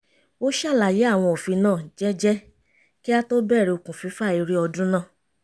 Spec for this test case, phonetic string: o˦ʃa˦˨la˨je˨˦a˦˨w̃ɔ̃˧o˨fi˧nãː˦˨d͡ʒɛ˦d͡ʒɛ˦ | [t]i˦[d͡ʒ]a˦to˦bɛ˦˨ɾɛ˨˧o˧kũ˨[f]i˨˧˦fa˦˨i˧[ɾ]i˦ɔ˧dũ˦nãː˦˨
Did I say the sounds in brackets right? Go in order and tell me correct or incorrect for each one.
incorrect: k, incorrect: none, correct, correct

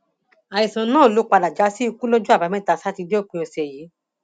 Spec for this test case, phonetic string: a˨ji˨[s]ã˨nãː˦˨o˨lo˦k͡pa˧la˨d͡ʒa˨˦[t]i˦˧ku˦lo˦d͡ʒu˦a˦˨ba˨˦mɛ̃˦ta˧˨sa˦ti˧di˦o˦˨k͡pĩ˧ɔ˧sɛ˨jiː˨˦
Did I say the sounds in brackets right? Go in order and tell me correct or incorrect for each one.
correct, incorrect: s

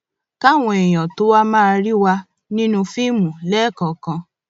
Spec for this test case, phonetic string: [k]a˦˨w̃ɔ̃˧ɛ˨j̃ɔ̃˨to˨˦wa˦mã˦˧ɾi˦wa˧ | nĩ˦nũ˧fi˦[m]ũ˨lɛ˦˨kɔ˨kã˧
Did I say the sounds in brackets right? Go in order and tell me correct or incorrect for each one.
correct, correct

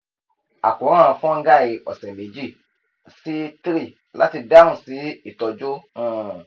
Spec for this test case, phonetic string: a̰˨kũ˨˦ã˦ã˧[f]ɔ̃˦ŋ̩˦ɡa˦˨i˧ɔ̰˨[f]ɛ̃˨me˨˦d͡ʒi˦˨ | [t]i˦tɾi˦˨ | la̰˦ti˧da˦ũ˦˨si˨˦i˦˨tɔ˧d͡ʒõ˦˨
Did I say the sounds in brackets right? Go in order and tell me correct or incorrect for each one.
correct, incorrect: s, incorrect: s

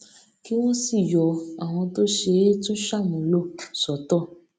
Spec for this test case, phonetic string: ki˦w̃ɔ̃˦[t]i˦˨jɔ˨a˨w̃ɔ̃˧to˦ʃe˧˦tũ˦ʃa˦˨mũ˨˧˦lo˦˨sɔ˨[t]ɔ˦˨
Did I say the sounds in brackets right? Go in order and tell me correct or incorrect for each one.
incorrect: s, correct

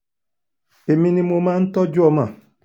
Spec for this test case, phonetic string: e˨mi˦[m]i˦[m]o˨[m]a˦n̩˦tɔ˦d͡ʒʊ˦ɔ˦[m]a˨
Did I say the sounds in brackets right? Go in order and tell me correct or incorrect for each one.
incorrect: n, correct, correct, correct

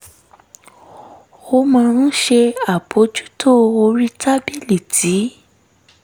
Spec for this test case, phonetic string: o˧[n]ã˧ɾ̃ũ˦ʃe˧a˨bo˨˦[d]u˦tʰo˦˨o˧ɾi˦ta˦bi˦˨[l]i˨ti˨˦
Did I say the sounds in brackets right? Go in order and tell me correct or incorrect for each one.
incorrect: m, incorrect: d͡ʒ, correct

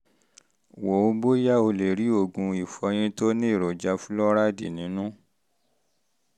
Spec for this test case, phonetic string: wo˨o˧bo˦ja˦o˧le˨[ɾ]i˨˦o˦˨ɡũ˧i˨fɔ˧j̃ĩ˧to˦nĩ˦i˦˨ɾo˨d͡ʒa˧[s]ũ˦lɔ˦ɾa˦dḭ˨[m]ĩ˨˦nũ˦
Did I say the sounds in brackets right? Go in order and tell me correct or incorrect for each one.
correct, incorrect: f, incorrect: n

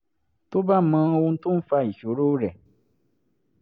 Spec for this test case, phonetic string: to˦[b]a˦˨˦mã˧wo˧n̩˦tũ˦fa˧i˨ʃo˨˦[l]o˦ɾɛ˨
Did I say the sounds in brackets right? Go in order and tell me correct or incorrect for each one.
correct, incorrect: ɾ

